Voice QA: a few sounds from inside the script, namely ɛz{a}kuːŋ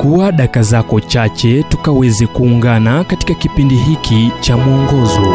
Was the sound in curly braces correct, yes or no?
no